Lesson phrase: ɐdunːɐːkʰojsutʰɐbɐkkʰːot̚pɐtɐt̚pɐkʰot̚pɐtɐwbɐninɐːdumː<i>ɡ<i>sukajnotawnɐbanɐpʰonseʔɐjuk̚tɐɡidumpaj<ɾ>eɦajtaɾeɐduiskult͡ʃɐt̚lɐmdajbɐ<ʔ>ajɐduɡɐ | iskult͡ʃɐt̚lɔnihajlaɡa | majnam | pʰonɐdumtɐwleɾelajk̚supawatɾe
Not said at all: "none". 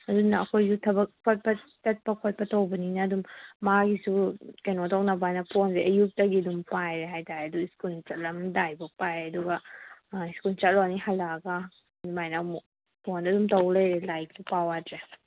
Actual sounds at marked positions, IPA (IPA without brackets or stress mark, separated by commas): a, i, ɾ, p